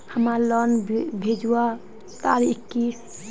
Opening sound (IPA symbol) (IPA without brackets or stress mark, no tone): h